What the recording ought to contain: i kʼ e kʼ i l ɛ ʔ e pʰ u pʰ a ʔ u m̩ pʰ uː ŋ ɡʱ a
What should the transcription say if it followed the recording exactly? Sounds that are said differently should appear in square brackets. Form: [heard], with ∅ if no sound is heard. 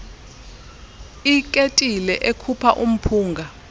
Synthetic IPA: i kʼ e [tʼ] i l ɛ ʔ e [kʰ] u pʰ a ʔ u m̩ pʰ uː ŋ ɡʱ a